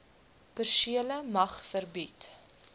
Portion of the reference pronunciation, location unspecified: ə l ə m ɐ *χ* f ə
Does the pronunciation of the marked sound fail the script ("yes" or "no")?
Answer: no